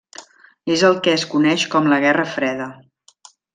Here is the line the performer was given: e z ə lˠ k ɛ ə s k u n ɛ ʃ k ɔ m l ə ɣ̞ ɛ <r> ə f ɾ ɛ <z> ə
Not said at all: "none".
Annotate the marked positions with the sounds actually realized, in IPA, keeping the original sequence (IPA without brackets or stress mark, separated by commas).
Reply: r, ð